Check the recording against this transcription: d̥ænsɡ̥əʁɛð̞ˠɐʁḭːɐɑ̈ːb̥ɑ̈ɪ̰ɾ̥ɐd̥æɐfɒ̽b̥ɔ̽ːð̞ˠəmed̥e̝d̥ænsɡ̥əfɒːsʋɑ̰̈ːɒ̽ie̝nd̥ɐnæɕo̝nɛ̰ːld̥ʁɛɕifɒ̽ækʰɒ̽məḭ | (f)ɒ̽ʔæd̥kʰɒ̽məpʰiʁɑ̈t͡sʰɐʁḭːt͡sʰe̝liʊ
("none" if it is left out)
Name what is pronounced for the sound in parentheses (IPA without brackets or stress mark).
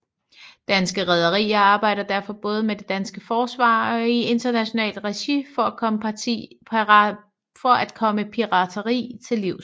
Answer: f